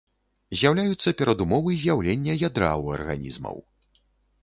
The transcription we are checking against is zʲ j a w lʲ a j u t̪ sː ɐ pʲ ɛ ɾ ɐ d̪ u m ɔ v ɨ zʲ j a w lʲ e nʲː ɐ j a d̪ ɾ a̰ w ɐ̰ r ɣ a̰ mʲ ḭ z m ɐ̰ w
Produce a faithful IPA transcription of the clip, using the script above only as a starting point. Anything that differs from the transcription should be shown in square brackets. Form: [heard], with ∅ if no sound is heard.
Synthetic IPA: zʲ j a w lʲ a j u t̪ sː ɐ pʲ ɛ ɾ ɐ d̪ u m ɔ v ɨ zʲ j a w lʲ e nʲː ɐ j a d̪ ɾ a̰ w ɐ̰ r ɣ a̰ [nʲ] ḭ z m ɐ̰ w